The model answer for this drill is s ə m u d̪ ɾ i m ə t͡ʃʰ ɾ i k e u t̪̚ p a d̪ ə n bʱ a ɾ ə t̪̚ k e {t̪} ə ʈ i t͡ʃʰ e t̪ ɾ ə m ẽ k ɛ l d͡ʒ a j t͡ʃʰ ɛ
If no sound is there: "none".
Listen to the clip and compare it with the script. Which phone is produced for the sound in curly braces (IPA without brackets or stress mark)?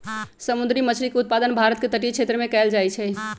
t̪